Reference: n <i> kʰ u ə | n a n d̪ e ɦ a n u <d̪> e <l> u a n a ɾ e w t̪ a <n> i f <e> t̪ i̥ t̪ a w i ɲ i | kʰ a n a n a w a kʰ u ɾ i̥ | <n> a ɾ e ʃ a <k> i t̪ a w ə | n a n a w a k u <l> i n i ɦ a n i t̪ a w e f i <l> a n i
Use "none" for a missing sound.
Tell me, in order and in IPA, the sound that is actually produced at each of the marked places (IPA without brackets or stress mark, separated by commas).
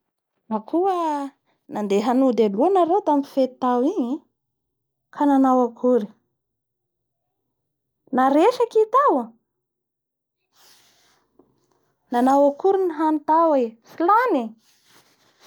a, d̪, l, m, e, n, k, ɾ, l